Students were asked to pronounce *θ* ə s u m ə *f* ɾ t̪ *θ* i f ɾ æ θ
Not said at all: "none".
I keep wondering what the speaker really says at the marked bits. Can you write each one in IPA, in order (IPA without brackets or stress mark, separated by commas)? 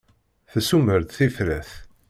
θ, none, θ